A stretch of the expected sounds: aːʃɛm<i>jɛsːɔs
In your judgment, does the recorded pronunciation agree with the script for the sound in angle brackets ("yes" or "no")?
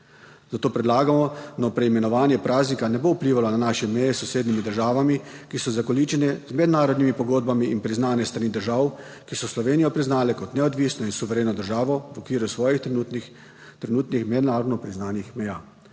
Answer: no